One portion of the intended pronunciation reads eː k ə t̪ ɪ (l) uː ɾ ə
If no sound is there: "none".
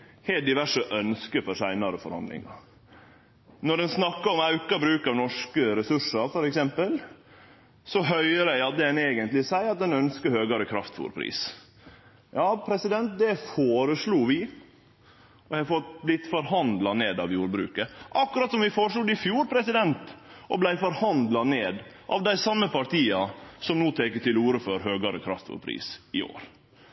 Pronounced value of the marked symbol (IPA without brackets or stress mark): l